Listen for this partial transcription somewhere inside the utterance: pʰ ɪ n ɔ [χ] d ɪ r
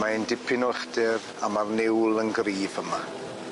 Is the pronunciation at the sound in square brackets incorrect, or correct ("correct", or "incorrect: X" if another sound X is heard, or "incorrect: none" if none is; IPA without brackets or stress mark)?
correct